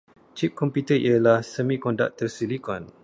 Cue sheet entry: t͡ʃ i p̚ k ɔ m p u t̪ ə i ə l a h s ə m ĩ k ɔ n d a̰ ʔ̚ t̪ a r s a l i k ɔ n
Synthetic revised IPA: t͡ʃ i p̚ k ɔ m p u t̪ ə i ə l a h s ə m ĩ k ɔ n d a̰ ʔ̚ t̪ ə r s i l i k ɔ n

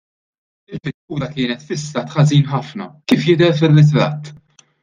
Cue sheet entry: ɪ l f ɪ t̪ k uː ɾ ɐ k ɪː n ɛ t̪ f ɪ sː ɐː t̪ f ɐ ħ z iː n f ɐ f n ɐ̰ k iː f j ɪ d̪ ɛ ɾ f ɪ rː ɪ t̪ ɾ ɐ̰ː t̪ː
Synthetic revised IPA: ɪ l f ɪ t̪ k uː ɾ ɐ k ɪː n ɛ t̪ f ɪ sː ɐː t̪ ħ ɐ z iː n ħ ɐ f n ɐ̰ k iː f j ɪ d̪ ɛ ɾ f ɪ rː ɪ t̪ ɾ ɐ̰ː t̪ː

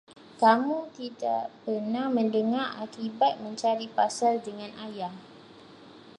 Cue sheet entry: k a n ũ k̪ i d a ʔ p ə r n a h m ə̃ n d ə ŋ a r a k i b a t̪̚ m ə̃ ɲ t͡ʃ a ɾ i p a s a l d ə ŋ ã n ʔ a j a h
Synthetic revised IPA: k a m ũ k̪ i d a ʔ p ə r n a h m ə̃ n d ə ŋ a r a k i b a t̪̚ m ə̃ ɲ t͡ʃ a ɾ i p a s a l d ə ŋ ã n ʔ a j a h

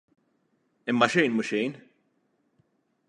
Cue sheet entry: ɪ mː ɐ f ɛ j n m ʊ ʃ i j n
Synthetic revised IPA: ɪ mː ɐ ʃ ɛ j n m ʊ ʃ ɛ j n

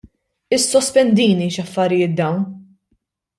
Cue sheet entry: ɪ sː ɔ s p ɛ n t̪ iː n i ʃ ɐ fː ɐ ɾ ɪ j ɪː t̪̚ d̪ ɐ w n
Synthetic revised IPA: ɪ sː ɔ s p ɛ n d̪ iː n i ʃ ɐ fː ɐ ɾ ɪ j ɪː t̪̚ d̪ ɐ w n

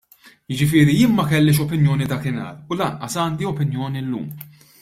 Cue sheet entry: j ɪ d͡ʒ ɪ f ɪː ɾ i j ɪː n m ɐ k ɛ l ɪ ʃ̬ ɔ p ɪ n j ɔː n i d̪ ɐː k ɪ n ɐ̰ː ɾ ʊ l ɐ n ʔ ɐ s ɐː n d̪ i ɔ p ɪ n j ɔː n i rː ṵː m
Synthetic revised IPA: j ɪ d͡ʒ ɪ f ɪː ɾ i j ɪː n m ɐ k ɛ lː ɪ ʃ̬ ɔ p ɪ n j ɔː n i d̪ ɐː k ɪ n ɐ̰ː ɾ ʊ l ɐ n ʔ ɐ s ɐː n d̪ i ɔ p ɪ n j ɔː n i lː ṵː m

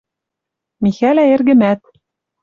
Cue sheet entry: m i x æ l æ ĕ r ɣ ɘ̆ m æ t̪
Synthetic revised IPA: m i x æ l æ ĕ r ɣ ɘ̆ m æ t̪

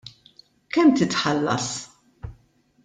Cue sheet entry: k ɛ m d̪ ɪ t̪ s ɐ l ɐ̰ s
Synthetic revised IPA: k ɛ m t̪ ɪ t̪ ħ ɐ lː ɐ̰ s

